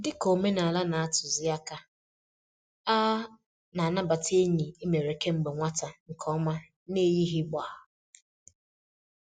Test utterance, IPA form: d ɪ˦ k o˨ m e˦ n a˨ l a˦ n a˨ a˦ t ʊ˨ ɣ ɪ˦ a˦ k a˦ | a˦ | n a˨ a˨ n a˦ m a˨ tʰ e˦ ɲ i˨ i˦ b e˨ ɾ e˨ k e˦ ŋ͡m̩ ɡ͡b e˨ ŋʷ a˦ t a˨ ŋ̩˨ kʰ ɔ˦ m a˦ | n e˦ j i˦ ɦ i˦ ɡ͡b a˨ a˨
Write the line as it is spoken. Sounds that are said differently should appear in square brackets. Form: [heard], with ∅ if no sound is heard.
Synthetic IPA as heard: d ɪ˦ k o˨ m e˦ n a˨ l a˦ n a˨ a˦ t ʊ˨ [z] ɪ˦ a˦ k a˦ | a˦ | n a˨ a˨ n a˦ [b] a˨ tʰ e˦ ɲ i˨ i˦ [m] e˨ ɾ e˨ k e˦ ŋ͡m̩ ɡ͡b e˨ ŋʷ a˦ t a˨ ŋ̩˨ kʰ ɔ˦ m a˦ | n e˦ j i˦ ɦ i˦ ɡ͡b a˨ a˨

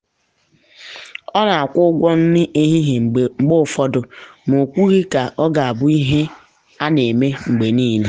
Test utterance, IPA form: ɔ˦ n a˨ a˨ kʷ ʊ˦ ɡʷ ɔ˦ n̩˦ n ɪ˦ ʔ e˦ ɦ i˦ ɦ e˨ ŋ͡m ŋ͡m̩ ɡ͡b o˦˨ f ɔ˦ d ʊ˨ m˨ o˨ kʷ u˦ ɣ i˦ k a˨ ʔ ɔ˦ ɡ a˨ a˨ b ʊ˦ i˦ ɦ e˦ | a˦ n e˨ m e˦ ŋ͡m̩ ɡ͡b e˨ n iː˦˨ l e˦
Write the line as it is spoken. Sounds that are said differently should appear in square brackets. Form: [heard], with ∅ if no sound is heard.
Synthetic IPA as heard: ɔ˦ n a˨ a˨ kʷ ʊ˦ ɡʷ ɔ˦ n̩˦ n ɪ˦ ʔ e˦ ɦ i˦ ɦ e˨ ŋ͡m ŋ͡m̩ ɡ͡b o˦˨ f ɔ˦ d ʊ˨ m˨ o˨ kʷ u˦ ɣ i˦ k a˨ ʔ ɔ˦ ɡ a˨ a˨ b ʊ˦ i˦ ɦ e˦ | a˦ n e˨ m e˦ ŋ͡m̩ ɡ͡b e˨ n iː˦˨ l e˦

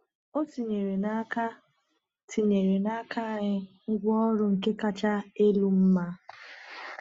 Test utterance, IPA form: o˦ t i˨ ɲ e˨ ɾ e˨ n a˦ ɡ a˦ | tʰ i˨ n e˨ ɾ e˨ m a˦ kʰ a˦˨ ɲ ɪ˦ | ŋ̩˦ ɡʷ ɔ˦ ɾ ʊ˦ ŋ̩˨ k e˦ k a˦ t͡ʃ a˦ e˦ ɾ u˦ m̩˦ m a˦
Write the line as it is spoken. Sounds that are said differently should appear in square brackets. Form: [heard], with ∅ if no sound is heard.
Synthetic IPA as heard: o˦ t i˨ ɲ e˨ ɾ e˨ n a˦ [k] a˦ | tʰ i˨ [ɲ] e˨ ɾ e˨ [n] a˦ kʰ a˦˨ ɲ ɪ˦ | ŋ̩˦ ɡʷ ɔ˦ ɾ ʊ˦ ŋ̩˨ k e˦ k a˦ t͡ʃ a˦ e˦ [l] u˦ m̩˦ m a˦

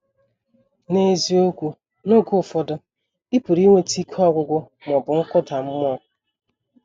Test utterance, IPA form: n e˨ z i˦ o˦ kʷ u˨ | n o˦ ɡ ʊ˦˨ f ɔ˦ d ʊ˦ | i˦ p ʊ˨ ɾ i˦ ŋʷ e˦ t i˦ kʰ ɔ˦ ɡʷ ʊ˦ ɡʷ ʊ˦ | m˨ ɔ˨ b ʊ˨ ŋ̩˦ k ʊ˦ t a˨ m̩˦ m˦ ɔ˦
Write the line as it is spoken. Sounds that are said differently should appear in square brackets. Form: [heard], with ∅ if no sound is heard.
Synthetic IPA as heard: n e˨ z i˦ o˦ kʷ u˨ | n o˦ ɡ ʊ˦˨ f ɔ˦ d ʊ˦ | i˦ p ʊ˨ ɾ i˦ ŋʷ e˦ t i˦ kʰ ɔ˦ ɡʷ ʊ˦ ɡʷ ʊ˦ | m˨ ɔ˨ b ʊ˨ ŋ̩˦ k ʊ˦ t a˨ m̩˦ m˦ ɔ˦

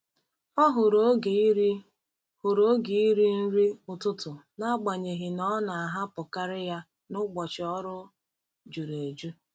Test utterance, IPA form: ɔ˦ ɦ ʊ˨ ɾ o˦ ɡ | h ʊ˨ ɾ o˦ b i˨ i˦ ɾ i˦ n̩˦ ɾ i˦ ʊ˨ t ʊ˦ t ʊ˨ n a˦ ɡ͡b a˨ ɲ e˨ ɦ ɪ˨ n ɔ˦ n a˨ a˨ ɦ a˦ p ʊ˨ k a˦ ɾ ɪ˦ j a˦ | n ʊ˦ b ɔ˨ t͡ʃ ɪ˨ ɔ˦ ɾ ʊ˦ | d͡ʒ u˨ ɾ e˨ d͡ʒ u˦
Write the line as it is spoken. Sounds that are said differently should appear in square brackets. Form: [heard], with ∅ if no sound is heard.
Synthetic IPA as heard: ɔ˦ ɦ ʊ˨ ɾ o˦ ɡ | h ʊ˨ ɾ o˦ [ɡ] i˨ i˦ ɾ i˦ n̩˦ ɾ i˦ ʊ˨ t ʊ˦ t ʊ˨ n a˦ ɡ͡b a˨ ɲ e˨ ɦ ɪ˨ n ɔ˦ n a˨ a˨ ɦ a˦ p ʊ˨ k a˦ ɾ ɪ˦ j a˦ | n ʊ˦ [ɡ͡b] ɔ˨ t͡ʃ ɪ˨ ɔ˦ ɾ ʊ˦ | d͡ʒ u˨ ɾ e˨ d͡ʒ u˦

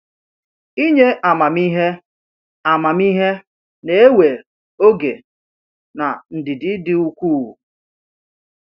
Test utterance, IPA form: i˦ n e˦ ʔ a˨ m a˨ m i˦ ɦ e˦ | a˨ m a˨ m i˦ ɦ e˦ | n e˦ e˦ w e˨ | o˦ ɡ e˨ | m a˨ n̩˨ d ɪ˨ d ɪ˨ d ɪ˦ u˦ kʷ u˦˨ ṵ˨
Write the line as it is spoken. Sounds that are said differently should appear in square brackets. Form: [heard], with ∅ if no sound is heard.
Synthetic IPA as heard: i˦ [ɲ] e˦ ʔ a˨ m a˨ m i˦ ɦ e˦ | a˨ m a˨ m i˦ ɦ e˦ | n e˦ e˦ w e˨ | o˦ ɡ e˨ | [n] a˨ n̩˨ d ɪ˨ d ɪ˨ d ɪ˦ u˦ kʷ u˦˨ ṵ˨

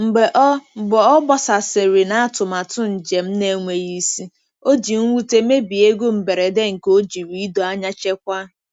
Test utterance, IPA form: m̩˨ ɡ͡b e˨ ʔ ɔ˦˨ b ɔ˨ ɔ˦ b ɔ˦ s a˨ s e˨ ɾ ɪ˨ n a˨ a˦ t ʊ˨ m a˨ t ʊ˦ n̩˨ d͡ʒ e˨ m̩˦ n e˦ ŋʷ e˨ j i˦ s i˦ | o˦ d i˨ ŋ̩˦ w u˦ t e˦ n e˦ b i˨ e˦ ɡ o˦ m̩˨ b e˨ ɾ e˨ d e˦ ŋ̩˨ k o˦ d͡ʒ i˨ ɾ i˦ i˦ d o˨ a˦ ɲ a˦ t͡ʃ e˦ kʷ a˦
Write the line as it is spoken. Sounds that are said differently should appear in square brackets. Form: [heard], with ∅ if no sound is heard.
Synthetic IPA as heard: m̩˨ ɡ͡b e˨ ʔ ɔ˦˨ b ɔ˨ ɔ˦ b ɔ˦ s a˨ s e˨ ɾ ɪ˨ n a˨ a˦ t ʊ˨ m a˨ t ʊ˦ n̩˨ d͡ʒ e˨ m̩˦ n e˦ ŋʷ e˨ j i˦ s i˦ | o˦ [d͡ʒ] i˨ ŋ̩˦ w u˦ t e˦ [m] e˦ b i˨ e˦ ɡ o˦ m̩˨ b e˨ ɾ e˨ d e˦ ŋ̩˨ k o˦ d͡ʒ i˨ ɾ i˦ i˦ d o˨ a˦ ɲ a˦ t͡ʃ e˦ kʷ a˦

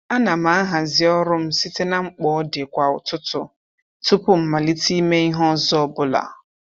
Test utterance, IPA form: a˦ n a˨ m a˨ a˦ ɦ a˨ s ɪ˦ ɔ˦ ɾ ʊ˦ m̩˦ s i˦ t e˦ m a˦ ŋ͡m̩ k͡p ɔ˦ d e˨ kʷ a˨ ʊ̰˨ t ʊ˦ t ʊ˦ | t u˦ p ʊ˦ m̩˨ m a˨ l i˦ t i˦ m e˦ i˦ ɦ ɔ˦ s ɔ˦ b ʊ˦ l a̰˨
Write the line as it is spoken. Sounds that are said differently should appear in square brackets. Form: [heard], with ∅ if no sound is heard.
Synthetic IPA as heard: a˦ n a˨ m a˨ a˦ ɦ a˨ [z] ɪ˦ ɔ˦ ɾ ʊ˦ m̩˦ s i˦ t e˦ [n] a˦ ŋ͡m̩ k͡p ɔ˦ d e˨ kʷ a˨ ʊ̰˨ t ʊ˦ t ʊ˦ | t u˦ p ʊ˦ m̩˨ m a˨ l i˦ t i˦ m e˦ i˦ ɦ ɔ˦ [z] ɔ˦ b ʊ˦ l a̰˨

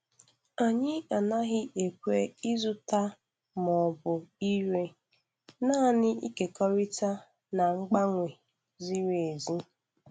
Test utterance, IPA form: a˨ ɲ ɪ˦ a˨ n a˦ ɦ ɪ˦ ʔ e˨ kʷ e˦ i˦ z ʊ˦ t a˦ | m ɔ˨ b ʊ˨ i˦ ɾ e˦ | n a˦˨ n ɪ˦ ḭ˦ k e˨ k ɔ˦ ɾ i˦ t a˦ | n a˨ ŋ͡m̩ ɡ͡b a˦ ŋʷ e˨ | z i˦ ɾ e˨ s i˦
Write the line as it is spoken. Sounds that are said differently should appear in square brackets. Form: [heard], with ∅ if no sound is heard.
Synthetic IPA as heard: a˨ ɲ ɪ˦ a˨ n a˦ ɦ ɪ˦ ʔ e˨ kʷ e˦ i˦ z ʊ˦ t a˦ | m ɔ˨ b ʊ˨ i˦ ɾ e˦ | n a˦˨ n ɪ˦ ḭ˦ k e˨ k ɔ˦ ɾ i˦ t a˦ | n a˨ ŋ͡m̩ ɡ͡b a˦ ŋʷ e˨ | z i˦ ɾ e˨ [z] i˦

